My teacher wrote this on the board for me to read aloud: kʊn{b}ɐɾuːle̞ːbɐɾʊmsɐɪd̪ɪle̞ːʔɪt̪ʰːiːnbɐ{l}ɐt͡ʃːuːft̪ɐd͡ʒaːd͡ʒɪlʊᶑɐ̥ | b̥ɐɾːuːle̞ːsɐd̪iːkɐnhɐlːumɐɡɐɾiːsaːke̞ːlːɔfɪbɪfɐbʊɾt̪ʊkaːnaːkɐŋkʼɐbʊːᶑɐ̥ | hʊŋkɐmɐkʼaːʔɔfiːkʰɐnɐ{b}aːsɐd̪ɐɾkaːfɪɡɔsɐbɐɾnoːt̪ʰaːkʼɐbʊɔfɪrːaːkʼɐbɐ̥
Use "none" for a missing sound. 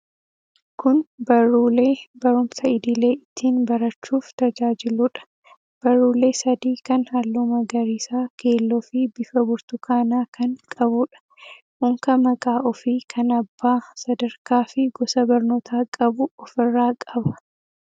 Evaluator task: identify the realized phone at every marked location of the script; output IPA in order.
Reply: b, ɾ, bː

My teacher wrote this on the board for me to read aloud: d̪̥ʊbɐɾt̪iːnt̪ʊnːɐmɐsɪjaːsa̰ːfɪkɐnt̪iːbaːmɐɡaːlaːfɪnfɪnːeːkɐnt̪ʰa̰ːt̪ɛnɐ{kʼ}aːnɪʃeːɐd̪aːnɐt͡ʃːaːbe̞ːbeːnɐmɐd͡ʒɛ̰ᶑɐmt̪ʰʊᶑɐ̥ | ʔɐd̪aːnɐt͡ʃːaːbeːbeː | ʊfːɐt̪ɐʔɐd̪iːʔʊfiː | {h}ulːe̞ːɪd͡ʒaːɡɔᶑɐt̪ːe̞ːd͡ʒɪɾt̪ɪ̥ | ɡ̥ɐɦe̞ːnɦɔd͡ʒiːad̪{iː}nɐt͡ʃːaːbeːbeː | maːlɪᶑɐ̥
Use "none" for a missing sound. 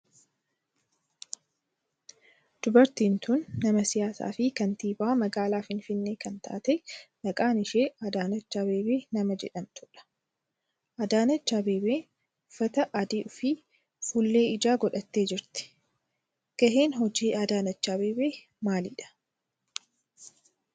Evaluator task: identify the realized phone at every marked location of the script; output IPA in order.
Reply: kʼ, f, aː

